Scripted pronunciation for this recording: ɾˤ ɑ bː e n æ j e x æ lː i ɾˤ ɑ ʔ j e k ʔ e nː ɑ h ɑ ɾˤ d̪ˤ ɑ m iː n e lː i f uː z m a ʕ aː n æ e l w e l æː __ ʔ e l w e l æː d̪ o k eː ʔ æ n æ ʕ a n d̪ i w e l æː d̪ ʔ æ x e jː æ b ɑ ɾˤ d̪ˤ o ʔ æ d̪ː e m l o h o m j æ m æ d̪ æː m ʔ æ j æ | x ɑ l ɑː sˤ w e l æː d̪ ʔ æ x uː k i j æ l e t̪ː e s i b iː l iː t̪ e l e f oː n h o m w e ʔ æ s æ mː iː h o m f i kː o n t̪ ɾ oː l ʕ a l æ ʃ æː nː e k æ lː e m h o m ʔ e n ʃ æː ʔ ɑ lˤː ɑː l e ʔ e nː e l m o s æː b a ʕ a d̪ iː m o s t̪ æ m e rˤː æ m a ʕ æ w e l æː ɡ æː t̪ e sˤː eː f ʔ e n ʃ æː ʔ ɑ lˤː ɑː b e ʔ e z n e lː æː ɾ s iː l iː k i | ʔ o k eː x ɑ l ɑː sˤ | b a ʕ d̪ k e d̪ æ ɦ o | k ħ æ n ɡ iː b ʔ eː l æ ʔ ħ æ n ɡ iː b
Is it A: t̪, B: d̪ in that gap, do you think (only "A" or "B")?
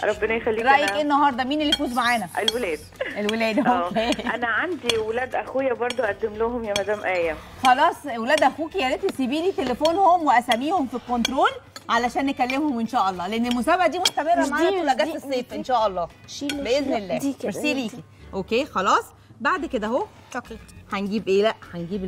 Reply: B